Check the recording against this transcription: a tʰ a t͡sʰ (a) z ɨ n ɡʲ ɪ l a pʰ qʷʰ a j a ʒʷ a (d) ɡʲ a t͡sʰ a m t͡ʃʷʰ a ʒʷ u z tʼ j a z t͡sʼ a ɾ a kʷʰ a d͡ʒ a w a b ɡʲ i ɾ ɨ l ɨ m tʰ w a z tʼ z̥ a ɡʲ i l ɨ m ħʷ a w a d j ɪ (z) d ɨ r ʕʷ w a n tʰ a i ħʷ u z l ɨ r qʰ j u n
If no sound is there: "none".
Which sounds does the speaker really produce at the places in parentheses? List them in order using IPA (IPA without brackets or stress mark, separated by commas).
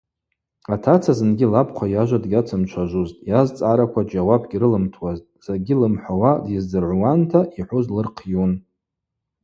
a, d, z